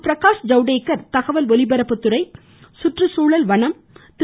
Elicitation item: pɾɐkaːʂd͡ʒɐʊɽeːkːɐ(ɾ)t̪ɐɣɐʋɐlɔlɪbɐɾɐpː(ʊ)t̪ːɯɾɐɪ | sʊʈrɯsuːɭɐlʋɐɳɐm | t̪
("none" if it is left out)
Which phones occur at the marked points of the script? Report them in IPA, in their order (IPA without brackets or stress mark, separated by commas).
ɾ, ɯ